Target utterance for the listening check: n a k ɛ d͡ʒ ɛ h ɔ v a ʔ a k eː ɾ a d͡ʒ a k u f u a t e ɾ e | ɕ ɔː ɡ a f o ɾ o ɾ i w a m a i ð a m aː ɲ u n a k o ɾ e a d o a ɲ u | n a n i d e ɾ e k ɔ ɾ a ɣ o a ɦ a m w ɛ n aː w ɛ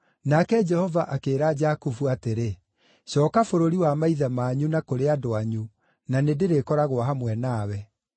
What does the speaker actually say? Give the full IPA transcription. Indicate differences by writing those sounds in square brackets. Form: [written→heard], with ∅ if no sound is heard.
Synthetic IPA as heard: n a k ɛ d͡ʒ ɛ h ɔ v a ʔ a k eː ɾ a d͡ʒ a k u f u a t e ɾ e | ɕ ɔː [ɡ→k] a f o ɾ o ɾ i w a m a i ð a m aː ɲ u n a k o ɾ e a d o a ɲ u | n a n [i→e] d e ɾ e k ɔ ɾ a ɣ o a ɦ a m w ɛ n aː w ɛ

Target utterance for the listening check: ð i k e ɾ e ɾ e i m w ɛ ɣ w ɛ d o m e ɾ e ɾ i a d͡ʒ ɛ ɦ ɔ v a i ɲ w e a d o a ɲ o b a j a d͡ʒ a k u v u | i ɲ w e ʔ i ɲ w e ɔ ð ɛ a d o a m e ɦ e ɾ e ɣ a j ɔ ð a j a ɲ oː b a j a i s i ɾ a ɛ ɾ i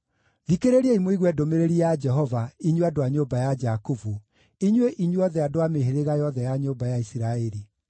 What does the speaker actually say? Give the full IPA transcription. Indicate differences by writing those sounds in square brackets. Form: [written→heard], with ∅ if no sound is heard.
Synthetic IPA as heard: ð i k e ɾ e ɾ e i m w [ɛ→i] ɣ w ɛ d o m e ɾ e ɾ i a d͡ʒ ɛ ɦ ɔ v a i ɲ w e a d o a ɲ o b a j a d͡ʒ a k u v u | i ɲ w e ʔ i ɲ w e ɔ ð ɛ a d o a m e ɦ e ɾ e ɣ a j ɔ ð [a→ɛ] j a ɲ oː b a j a i s i ɾ a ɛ ɾ i

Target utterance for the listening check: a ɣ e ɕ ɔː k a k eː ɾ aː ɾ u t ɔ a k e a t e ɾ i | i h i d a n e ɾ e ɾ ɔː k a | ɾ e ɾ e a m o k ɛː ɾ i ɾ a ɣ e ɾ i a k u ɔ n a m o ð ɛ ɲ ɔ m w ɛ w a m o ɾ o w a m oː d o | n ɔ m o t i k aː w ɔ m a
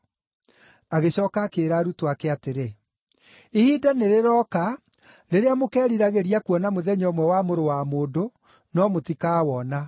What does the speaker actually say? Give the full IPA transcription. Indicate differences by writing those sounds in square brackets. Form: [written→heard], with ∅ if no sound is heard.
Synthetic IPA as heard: a ɣ e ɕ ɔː k a k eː ɾ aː ɾ u t [ɔ→o] a k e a t e ɾ [i→e] | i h i d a n e ɾ e ɾ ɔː k a | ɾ e ɾ e a m o k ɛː ɾ i ɾ a ɣ e ɾ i a k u ɔ n a m o ð ɛ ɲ ɔ m w ɛ w a m o ɾ o w a m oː d o | n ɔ m o t i k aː w ɔ [m→n] a

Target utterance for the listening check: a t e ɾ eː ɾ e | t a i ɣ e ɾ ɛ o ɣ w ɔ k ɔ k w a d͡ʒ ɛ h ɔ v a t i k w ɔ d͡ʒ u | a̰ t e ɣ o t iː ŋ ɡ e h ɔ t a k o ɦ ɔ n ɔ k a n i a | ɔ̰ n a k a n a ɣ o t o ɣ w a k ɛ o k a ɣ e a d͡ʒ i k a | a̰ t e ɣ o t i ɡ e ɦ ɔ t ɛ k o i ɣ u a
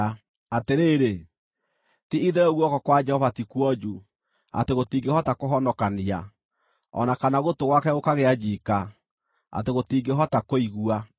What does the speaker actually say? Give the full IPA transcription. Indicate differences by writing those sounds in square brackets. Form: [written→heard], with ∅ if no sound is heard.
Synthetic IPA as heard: a t e ɾ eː ɾ e | t [a→i] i [ɣ→ð] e ɾ ɛ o ɣ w ɔ k ɔ k w a d͡ʒ ɛ h ɔ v a t i k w ɔ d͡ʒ u | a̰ t e ɣ o t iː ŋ ɡ e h ɔ t a k o ɦ ɔ n ɔ k a n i a | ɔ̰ n a k a n a ɣ o t o ɣ w a k ɛ o k a ɣ e a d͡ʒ i k a | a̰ t e ɣ o t i ɡ e ɦ ɔ t [ɛ→a] k o i ɣ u a

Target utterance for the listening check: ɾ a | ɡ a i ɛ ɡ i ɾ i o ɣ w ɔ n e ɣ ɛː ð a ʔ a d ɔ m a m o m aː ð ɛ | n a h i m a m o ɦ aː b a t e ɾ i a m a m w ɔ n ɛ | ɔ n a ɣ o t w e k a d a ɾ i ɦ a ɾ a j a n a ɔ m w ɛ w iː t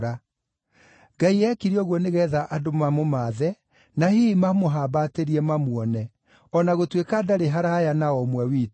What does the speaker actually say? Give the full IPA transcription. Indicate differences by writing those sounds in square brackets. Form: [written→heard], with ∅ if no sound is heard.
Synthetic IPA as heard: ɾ a | ɡ a i ɛ [ɡ→k] i ɾ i [o→ɔ] ɣ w ɔ n e ɣ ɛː ð a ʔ a d [ɔ→o] m a m o m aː ð ɛ | n a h i m a m o ɦ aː b a t e ɾ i [a→ɛ] m a m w ɔ n ɛ | ɔ n a ɣ o t w e k a d a ɾ [i→e] ɦ a ɾ a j a n a ɔ m w ɛ w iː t

